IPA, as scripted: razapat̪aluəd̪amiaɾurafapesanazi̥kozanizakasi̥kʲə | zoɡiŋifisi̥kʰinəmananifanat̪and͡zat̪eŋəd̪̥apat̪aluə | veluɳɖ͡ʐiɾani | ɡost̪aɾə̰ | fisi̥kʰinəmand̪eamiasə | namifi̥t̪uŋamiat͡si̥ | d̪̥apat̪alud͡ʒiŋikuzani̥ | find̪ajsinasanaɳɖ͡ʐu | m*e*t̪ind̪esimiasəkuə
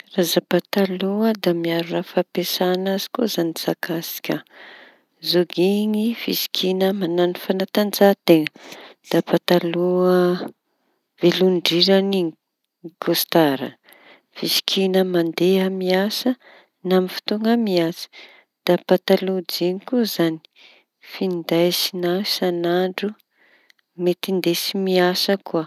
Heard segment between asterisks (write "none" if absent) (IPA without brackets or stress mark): e